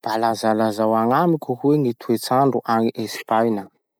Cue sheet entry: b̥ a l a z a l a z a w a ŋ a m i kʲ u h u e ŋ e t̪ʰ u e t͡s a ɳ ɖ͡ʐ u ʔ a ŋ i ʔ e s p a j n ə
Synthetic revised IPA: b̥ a l a z a l a z a w a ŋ a m i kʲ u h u e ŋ i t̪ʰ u e t͡s a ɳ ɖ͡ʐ u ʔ a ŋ i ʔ e s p a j n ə

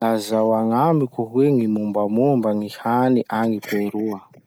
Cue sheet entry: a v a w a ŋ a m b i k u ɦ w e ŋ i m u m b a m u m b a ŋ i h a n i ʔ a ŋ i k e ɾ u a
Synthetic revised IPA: a z a w a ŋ a m b i k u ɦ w e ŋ i m u m b a m u m b a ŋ i h a n i ʔ a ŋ i p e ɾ u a

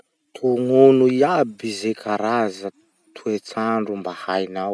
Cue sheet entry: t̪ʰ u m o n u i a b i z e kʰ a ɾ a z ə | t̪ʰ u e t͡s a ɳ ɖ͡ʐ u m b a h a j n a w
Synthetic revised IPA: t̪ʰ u ŋ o n u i a b i z e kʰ a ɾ a z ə | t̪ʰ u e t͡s a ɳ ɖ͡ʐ u m b a h a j n a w

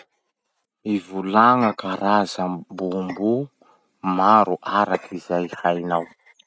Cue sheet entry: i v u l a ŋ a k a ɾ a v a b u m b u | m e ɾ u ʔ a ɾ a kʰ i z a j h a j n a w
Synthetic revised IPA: i v u l a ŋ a k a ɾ a z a b u m b u | m a ɾ u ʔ a ɾ a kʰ i z a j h a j n a w

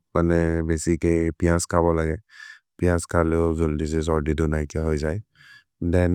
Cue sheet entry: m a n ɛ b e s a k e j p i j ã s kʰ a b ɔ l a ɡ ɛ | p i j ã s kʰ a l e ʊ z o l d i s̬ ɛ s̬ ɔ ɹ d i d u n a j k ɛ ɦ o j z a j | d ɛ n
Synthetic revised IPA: m a n ɛ b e s i k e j p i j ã s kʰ a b ɔ l a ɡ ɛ | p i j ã s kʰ a l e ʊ z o l d i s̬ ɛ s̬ ɔ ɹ d i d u n a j k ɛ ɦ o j z a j | d ɛ n

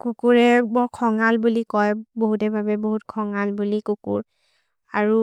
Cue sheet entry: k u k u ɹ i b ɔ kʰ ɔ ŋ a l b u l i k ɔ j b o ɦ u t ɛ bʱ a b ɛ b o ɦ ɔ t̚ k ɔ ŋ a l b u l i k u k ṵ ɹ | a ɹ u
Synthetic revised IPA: k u k u ɹ ɛ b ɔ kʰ ɔ ŋ a l b u l i k ɔ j b o ɦ u t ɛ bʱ a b ɛ b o ɦ u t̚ kʰ ɔ ŋ a l b u l i k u k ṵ ɹ | a ɹ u

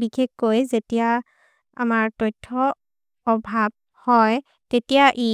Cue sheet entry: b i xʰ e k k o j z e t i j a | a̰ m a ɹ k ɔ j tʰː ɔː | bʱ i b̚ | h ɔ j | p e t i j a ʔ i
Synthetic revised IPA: b i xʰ e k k o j z e t i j a | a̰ m a ɹ t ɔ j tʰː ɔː | bʱ a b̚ | h ɔ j | t e t i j a ʔ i

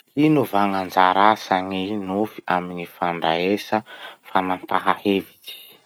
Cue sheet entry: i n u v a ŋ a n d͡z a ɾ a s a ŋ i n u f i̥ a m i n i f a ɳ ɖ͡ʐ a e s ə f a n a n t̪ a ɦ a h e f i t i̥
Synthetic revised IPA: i n u v a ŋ a n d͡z a ɾ a s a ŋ i n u f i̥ a m i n i f a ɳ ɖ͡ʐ a e s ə f a n a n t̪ a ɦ a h e v i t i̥

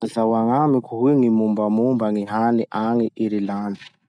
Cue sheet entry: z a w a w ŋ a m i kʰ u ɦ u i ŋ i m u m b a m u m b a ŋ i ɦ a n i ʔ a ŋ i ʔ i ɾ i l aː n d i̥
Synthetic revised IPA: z a w a ŋ a m i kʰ u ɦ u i ŋ i m u m b a m u m b a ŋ i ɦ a n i ʔ a ŋ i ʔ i ɾ i l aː n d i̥

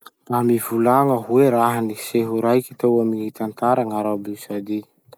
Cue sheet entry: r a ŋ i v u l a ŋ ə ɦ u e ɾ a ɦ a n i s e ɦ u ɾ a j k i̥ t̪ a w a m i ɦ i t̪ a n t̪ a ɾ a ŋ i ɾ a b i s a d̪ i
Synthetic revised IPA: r a m i v u l a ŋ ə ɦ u e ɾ a ɦ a n i s e ɦ u ɾ a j k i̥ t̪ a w a m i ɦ i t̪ a n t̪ a ɾ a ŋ a ɾ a b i s a d̪ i

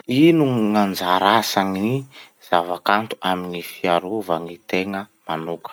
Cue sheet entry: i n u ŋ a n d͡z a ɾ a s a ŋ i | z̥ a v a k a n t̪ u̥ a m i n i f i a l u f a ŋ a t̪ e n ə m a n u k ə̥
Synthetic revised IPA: i n u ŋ a n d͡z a ɾ a s a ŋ i | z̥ a v a k a n t̪ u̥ a m i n i f i a ɾ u v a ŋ i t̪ e ŋ ə m a n u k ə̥

